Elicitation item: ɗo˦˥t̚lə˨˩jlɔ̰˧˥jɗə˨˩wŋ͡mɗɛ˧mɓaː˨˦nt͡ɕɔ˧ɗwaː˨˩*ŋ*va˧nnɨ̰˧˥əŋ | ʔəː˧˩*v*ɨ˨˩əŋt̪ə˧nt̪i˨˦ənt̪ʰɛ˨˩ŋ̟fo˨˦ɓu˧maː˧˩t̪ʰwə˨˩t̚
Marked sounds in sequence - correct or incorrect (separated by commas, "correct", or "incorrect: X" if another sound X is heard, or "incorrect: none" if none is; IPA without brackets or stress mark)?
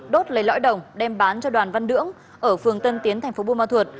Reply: incorrect: n, incorrect: f